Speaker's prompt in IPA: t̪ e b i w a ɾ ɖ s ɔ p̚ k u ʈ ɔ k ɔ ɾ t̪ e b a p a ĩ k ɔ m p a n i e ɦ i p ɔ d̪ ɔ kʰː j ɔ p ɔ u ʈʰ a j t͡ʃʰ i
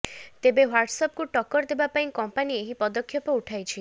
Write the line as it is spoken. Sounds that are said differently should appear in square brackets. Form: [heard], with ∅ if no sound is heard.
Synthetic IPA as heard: t̪ e b [e] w a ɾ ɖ s ɔ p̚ k u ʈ ɔ k ɔ ɾ [d̪] e b a p a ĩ k ɔ m p a n i e ɦ i p ɔ d̪ ɔ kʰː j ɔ p ɔ u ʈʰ a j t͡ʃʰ i